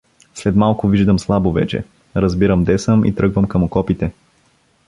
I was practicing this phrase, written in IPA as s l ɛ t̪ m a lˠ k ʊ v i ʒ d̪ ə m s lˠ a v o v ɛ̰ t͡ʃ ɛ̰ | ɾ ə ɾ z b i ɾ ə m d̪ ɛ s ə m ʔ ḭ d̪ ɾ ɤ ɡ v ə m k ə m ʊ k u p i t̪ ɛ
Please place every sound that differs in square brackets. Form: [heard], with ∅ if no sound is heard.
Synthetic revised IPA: s l ɛ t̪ m a lˠ k ʊ v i ʒ d̪ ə m s lˠ a [b] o v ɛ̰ t͡ʃ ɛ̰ | ɾ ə [∅] z b i ɾ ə m d̪ ɛ s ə m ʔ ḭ [t̪] ɾ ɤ ɡ v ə m k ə m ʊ k [ɔ] p i t̪ ɛ